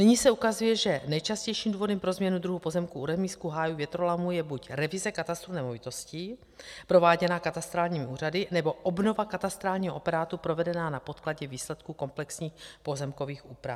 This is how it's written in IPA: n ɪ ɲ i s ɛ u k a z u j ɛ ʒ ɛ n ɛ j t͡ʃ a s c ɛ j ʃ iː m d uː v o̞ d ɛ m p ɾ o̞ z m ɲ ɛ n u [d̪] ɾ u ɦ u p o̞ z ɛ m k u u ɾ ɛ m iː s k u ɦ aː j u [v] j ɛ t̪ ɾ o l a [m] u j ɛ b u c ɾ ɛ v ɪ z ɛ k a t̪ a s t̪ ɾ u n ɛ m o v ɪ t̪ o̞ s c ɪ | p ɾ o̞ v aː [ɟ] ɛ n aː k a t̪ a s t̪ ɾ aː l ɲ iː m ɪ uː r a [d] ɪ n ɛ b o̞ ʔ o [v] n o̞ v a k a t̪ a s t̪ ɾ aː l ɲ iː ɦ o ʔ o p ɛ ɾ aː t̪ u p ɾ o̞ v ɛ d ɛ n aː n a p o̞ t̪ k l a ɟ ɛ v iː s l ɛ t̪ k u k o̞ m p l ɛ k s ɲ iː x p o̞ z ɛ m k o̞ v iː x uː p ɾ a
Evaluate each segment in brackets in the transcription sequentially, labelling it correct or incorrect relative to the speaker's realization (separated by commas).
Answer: correct, correct, correct, correct, correct, incorrect